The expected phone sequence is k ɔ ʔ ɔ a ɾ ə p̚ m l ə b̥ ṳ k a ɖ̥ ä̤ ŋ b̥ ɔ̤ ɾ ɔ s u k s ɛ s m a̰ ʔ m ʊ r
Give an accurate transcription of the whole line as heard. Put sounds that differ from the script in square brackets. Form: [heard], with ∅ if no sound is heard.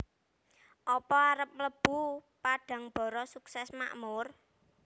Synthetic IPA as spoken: [ʔ] ɔ [p] ɔ a ɾ ə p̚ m l ə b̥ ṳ [p] a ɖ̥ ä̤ ŋ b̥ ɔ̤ ɾ ɔ s u k s ɛ s m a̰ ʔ m ʊ r